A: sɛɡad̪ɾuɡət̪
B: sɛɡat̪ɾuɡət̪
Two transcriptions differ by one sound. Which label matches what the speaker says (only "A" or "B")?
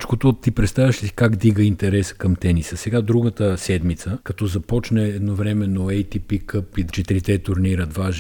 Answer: A